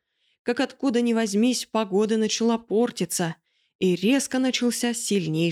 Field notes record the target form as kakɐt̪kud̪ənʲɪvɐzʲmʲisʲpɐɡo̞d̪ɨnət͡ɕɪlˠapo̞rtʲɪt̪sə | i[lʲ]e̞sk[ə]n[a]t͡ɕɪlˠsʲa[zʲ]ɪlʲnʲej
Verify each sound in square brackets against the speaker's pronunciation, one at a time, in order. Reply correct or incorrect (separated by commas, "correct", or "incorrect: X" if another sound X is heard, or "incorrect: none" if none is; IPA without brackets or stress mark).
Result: incorrect: ɾʲ, correct, incorrect: ə, incorrect: sʲ